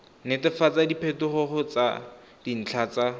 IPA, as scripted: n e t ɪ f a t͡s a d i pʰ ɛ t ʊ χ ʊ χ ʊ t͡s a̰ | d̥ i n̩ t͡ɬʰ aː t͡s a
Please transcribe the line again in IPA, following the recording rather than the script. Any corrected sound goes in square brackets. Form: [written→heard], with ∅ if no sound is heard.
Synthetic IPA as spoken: n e t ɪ f a t͡s a d i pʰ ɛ t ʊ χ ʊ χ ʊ t͡s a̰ | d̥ i n̩ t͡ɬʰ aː t͡s a